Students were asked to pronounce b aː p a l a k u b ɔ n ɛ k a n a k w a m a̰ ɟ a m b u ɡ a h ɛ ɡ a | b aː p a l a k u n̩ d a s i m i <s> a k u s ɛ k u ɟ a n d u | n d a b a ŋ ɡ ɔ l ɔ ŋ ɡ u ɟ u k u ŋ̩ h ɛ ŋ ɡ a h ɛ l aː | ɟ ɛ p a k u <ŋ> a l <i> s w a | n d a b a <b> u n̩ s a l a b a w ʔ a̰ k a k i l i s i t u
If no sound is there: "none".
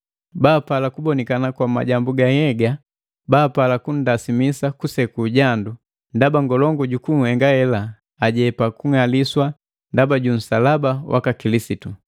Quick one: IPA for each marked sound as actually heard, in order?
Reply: s, ŋ, i, ɟ

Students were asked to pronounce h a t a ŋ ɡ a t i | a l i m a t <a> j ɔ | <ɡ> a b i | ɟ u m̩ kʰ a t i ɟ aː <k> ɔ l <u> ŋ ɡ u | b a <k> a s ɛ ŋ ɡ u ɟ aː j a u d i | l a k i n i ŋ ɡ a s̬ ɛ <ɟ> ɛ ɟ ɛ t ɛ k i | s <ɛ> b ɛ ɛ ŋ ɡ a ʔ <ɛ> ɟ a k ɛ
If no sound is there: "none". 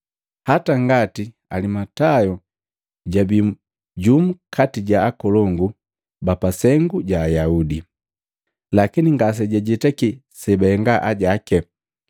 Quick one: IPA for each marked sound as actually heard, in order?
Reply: a, ɟ, k, ɔ, p, ɟ, ɛ, a

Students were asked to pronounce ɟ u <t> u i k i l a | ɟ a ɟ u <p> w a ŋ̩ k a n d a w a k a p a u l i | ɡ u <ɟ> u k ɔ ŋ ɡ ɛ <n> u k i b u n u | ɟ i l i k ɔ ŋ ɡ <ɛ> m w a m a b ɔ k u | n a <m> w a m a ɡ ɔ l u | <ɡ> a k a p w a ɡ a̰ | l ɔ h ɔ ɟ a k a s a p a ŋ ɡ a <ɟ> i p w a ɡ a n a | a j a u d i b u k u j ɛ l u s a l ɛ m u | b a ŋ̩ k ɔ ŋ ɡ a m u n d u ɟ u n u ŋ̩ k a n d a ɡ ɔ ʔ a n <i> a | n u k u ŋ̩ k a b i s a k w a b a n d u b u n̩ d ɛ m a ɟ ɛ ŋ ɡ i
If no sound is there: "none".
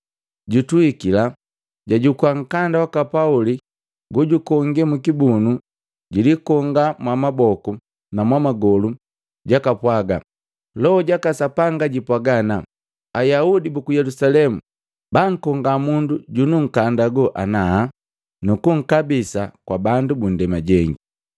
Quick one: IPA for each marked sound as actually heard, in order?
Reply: t, k, ɟ, m, a, m, ɟ, ɟ, a

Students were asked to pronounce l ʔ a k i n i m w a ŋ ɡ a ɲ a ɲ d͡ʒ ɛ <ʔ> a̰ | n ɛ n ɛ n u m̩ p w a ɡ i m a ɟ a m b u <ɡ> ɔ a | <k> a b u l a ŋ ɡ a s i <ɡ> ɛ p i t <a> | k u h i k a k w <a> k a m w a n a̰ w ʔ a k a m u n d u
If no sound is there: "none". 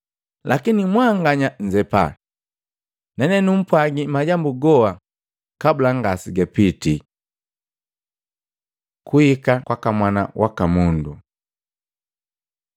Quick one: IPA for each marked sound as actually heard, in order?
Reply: p, ɡ, k, ɡ, i, a

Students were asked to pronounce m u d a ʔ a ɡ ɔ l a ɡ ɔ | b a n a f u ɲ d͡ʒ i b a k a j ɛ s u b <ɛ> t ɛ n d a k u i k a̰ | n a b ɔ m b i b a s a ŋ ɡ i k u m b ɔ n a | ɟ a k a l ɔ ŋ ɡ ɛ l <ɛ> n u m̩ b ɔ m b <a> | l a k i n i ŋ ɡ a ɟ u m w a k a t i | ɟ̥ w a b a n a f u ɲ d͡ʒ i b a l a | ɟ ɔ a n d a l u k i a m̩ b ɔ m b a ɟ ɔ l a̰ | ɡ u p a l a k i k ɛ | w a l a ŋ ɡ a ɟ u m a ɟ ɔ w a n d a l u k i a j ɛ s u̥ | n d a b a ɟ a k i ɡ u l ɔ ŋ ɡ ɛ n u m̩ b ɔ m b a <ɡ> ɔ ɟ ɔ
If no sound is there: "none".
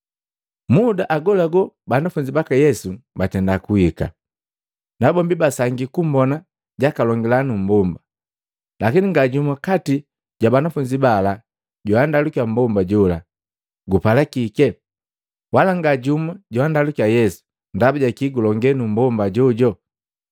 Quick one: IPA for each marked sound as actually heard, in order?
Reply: a, a, a, ɟ

